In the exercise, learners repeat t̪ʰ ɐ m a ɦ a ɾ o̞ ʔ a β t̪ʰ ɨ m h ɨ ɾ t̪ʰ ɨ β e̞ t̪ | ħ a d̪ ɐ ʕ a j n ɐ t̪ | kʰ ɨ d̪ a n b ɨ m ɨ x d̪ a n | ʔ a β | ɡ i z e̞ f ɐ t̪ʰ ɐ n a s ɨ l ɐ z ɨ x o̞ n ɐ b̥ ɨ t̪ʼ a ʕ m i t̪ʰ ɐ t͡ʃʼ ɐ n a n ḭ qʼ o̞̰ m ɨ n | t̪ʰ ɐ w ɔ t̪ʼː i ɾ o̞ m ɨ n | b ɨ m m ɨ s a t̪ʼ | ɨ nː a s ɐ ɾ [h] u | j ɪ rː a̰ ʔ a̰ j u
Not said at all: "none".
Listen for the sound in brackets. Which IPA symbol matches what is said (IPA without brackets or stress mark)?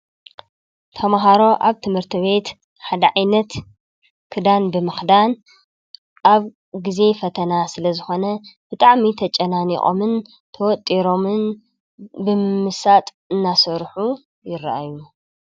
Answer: ħ